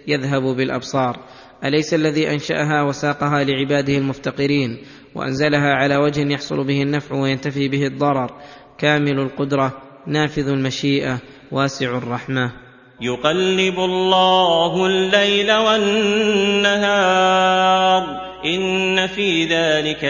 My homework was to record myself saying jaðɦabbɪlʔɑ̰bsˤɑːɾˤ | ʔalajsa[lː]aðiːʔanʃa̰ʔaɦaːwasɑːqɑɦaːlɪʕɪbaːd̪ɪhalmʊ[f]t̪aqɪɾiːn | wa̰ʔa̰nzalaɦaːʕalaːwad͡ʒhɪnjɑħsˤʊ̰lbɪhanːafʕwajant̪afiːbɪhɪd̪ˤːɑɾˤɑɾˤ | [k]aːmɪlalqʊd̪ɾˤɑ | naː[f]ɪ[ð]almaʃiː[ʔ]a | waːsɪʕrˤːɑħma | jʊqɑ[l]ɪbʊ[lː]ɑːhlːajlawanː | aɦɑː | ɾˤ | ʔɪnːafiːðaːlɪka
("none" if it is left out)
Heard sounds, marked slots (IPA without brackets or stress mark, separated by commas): lː, f, k, f, ð, ʔ, lː, lː